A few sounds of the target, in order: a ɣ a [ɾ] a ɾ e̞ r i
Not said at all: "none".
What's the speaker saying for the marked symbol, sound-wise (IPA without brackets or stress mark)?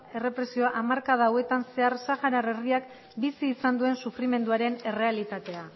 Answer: ɾ